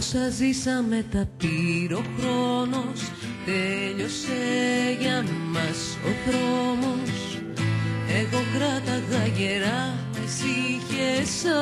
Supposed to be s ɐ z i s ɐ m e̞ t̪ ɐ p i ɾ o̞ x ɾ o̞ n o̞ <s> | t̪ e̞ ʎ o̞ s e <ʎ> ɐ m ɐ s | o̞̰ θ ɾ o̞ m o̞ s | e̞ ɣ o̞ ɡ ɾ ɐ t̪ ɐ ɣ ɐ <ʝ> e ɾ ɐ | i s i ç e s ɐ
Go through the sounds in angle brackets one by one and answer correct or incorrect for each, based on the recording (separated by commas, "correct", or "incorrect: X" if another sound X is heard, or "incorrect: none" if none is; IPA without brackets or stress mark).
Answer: correct, incorrect: ʝ, correct